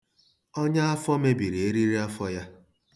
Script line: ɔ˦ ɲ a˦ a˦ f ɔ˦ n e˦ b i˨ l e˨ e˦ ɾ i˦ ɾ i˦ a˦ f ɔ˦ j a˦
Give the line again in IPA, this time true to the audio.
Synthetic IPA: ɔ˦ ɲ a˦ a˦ f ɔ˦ m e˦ b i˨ ɾ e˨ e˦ ɾ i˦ ɾ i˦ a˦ f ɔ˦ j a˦